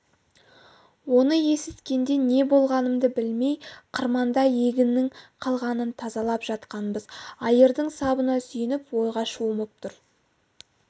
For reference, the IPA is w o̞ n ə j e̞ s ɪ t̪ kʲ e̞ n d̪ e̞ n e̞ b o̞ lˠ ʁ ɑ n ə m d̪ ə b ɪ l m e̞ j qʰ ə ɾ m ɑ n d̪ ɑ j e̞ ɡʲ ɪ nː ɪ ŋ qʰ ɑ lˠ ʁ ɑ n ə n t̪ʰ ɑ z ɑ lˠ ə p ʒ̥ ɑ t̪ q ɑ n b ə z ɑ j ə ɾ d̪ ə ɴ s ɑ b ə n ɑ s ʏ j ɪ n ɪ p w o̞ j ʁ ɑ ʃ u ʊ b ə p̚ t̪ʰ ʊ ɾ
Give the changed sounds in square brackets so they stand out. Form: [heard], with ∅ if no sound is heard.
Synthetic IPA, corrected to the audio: w o̞ n ə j e̞ s ɪ t̪ kʲ e̞ n d̪ e̞ n e̞ b o̞ lˠ ʁ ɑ n ə m d̪ ə b ɪ l m e̞ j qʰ ə ɾ m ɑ n d̪ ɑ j e̞ ɡʲ ɪ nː ɪ ŋ qʰ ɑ lˠ ʁ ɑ n ə n t̪ʰ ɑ z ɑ lˠ [ɑ] p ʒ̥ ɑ t̪ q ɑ n b ə z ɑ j ə ɾ d̪ ə ɴ s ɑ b ə n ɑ s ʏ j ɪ n ɪ p w o̞ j ʁ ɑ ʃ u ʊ [m] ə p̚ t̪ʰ ʊ ɾ

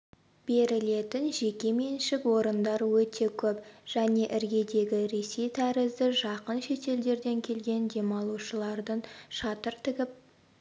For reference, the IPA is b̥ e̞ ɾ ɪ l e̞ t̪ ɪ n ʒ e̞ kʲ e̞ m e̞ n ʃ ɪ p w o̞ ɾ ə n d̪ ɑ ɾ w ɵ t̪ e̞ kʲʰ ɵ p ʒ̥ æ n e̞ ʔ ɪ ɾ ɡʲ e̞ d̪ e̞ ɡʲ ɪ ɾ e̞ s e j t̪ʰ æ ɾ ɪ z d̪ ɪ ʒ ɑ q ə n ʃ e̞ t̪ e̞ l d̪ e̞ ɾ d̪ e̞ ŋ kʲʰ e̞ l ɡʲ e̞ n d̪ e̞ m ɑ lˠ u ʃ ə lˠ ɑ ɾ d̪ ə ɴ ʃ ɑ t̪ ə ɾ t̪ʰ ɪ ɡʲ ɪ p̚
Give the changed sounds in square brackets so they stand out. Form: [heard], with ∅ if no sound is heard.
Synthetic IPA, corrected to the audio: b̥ e̞ ɾ ɪ l e̞ t̪ ɪ n ʒ e̞ kʲ e̞ m e̞ n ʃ ɪ [k] w o̞ ɾ ə n d̪ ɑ ɾ w ɵ t̪ e̞ kʲʰ ɵ p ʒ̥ æ n e̞ ʔ ɪ ɾ ɡʲ e̞ d̪ e̞ ɡʲ ɪ ɾ e̞ s e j t̪ʰ æ ɾ ɪ z d̪ ɪ ʒ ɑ q ə n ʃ e̞ t̪ e̞ l d̪ e̞ ɾ d̪ e̞ ŋ kʲʰ e̞ l ɡʲ e̞ n d̪ e̞ m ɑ lˠ u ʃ ə lˠ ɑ ɾ d̪ ə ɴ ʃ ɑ t̪ ə ɾ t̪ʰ ɪ ɡʲ ɪ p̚

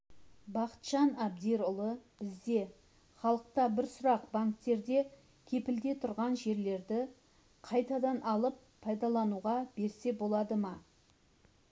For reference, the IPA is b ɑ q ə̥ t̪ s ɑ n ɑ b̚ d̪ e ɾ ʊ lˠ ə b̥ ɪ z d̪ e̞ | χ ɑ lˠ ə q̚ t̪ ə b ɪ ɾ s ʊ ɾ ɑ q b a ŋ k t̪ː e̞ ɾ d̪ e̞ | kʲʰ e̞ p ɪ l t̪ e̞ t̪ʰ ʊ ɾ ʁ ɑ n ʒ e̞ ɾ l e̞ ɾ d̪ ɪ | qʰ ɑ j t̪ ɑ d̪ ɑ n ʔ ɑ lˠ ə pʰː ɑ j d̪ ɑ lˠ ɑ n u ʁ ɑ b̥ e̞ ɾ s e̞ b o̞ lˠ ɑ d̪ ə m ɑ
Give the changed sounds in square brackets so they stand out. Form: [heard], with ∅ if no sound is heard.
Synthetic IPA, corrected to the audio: b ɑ q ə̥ t̪ [ʃ] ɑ n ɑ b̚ d̪ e ɾ ʊ lˠ ə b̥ ɪ z d̪ e̞ | χ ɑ lˠ ə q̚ t̪ [ɑ] b ɪ ɾ s ʊ ɾ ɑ q b a ŋ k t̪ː e̞ ɾ d̪ e̞ | kʲʰ e̞ p ɪ l [d̪] e̞ t̪ʰ ʊ ɾ ʁ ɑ n ʒ e̞ ɾ l e̞ ɾ d̪ ɪ | qʰ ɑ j t̪ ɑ d̪ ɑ n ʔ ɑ lˠ ə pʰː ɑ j d̪ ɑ lˠ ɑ n u ʁ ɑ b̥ e̞ ɾ s e̞ b o̞ lˠ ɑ d̪ ə m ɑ

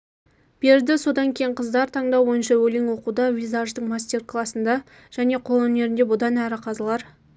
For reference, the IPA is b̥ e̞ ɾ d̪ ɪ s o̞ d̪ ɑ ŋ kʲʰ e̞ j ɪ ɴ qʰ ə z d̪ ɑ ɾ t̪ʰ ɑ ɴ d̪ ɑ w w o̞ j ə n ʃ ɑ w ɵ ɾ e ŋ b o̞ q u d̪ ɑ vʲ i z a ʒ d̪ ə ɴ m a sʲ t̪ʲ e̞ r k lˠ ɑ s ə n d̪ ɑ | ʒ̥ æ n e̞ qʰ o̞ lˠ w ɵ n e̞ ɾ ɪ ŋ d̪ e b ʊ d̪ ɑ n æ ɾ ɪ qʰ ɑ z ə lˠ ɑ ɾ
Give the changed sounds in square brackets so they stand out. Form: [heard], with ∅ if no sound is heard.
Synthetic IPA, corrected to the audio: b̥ e̞ ɾ d̪ ɪ s o̞ d̪ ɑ ŋ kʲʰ e̞ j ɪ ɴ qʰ ə z d̪ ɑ ɾ t̪ʰ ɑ ɴ d̪ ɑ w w o̞ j ə n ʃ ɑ w ɵ [l] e ŋ [w] o̞ q u d̪ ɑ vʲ i z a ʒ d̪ ə ɴ m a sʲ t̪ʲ e̞ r k lˠ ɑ s ə n d̪ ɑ | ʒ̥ æ n e̞ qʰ o̞ lˠ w ɵ n e̞ ɾ ɪ [n] d̪ e b ʊ d̪ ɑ n æ ɾ ɪ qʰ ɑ z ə lˠ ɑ ɾ

